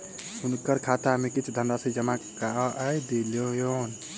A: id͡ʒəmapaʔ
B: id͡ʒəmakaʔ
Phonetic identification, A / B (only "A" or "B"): B